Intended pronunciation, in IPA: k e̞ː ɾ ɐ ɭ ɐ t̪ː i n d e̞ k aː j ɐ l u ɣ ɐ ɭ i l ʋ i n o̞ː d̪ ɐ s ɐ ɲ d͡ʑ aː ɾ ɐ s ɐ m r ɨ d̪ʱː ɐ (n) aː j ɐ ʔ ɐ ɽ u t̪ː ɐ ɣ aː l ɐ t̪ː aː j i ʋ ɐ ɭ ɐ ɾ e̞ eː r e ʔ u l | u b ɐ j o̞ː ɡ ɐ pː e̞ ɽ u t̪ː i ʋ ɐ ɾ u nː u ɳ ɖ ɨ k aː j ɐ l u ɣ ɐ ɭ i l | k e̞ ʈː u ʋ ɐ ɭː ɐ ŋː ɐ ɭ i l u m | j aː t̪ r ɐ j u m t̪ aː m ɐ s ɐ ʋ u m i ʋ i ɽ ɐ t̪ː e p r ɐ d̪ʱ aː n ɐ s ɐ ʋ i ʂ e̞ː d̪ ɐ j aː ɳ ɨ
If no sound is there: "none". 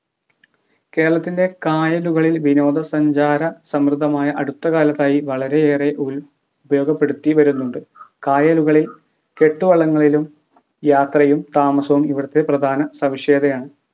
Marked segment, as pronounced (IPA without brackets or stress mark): m